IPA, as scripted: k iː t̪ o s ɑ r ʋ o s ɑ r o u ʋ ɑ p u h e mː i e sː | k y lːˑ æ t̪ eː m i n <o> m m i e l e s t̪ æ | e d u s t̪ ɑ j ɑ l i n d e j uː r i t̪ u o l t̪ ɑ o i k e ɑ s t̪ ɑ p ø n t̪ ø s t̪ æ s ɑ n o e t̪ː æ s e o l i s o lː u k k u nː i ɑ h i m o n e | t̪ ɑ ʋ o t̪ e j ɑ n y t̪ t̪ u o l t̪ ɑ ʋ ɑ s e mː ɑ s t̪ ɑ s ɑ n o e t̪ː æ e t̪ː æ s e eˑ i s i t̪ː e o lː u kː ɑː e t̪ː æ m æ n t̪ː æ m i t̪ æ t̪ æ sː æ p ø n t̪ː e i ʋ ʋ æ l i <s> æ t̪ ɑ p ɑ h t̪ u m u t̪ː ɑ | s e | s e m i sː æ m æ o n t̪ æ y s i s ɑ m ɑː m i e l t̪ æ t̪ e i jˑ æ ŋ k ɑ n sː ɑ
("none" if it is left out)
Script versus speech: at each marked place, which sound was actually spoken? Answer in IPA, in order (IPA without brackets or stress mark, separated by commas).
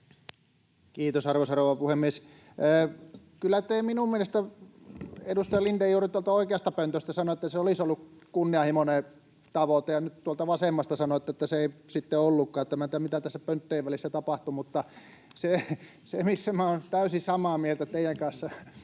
u, sː